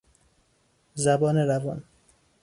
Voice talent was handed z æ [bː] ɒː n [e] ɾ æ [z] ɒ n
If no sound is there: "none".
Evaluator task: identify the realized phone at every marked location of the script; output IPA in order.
b, e, v

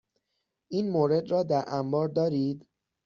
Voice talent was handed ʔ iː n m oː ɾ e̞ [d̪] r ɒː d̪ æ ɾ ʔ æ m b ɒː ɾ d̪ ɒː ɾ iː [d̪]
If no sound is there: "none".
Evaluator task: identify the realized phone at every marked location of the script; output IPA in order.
d̪, d̪

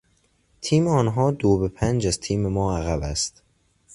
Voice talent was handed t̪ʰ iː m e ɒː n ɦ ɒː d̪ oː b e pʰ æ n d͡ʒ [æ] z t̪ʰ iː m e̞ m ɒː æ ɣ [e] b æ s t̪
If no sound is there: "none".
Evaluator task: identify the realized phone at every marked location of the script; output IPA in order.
æ, æ

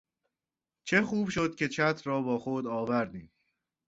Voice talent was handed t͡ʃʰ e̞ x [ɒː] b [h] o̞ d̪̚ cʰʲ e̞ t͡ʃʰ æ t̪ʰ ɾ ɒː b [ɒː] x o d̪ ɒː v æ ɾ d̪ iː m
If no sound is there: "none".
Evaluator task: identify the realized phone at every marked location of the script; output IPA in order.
uː, ʃ, ɒː

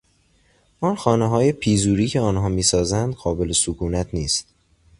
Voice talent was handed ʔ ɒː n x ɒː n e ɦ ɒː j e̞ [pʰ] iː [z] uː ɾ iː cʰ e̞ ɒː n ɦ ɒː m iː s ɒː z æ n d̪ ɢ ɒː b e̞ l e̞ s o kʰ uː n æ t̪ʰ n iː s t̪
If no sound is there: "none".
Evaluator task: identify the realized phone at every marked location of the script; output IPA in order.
pʰ, z

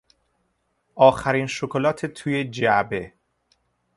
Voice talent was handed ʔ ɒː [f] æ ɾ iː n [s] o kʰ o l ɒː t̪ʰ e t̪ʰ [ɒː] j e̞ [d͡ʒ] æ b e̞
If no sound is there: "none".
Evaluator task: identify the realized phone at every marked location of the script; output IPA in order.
x, ʃ, uː, d͡ʒ

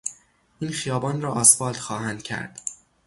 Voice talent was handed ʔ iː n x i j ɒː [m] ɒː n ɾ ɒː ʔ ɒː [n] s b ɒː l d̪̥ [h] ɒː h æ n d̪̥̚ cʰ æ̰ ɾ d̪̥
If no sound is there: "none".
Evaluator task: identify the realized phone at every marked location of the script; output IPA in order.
b, none, x

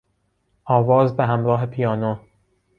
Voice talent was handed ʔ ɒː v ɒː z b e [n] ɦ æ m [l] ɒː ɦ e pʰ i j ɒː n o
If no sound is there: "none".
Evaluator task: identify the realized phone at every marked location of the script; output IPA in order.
none, ɾ

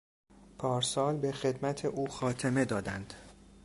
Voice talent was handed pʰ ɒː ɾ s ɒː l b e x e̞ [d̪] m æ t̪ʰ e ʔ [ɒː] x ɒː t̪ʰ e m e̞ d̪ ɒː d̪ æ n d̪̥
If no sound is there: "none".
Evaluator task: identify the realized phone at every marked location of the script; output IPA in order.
d̪, uː

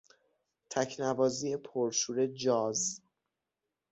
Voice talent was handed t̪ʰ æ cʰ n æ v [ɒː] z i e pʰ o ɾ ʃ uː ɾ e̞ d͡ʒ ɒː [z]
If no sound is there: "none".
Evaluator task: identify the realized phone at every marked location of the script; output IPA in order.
ɒː, z

